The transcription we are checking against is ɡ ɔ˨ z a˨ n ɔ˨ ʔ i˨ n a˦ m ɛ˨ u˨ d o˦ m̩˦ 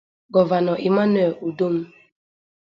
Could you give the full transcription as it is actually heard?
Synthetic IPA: ɡ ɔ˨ v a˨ n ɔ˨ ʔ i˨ m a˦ n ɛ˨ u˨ d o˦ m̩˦